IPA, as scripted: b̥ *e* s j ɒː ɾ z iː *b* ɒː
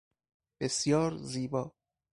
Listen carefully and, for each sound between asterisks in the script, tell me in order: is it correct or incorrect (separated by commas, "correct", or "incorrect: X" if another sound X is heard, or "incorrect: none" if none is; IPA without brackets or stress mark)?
correct, correct